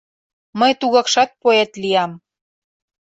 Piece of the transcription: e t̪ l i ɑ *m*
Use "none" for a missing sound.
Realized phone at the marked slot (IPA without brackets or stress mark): m